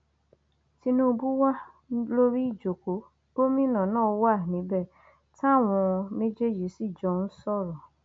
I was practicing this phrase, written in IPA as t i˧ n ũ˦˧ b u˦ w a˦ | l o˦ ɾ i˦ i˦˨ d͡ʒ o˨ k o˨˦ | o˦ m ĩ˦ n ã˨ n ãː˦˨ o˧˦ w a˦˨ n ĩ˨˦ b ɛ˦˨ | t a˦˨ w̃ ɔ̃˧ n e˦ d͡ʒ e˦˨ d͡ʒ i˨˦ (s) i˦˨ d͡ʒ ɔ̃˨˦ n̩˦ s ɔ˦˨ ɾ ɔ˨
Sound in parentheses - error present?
no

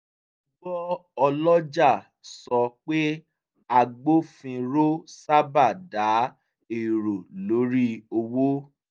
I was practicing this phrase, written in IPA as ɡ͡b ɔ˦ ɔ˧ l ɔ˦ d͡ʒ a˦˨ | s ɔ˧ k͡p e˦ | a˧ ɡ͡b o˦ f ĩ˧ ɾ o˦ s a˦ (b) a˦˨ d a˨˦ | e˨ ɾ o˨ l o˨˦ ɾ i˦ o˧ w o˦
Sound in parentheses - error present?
no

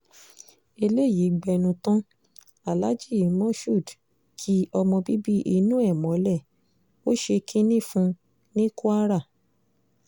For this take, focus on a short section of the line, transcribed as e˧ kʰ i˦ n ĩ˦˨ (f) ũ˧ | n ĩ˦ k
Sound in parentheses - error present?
no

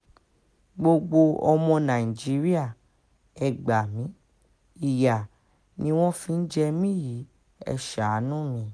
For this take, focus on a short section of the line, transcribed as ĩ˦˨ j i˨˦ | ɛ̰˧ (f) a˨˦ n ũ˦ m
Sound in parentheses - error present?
yes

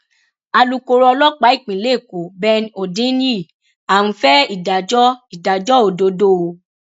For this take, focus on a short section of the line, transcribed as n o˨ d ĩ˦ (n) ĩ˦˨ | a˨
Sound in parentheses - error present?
no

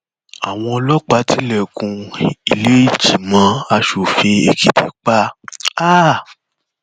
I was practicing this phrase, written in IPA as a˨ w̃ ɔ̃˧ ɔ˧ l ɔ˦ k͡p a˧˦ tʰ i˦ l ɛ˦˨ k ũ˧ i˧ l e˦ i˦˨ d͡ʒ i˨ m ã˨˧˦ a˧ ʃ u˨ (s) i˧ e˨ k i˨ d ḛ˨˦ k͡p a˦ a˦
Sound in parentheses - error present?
yes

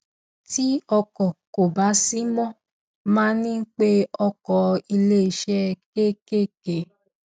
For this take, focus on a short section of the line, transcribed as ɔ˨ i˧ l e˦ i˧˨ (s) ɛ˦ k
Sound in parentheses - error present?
yes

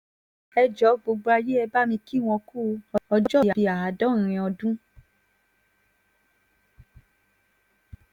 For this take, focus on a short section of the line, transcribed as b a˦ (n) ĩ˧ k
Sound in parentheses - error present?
yes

